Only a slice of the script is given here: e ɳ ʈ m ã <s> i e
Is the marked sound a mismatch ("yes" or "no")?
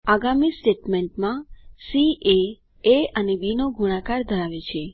no